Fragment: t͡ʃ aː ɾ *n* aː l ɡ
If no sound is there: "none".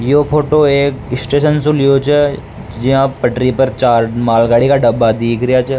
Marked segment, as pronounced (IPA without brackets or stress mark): m